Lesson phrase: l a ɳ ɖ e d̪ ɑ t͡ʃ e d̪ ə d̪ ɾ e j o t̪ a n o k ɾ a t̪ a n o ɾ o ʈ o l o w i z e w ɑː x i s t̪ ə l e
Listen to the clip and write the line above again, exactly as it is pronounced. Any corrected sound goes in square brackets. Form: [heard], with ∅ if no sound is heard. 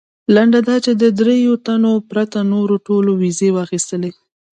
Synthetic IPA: l a ɳ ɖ [a] d̪ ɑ t͡ʃ e d̪ ə d̪ ɾ e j o t̪ a n o [p] ɾ a t̪ a n o ɾ o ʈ o l o w i z e w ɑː x i s t̪ ə l e